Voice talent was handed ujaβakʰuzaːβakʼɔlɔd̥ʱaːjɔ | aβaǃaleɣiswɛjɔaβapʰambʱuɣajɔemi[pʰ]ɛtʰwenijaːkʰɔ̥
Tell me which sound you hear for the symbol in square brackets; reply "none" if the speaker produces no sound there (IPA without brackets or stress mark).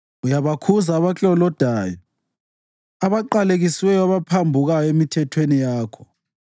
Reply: tʰ